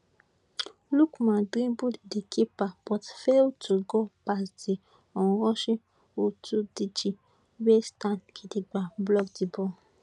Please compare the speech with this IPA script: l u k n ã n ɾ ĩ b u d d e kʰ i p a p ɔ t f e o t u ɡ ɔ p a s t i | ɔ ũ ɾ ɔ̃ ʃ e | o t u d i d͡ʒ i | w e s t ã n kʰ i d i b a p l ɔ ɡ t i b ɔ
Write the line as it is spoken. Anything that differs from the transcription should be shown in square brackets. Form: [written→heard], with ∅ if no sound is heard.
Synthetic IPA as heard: l u k [n→m] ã [n→d] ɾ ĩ b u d d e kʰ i p a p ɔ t f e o t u ɡ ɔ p a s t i | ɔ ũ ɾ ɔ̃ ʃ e | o t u d i d͡ʒ i | w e s t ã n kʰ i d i [b→ɡ͡b] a [p→b] l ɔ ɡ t i b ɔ